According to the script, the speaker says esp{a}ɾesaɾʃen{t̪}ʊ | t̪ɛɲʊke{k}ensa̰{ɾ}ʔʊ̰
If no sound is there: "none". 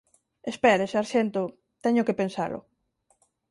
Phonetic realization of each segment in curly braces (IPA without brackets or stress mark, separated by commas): ɛ, t̪, p, l